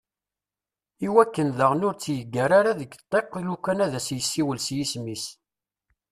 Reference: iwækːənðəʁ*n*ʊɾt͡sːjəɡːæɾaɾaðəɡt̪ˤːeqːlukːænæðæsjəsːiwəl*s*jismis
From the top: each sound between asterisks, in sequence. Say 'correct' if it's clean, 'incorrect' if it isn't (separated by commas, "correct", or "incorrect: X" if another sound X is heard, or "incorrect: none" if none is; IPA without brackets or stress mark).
correct, correct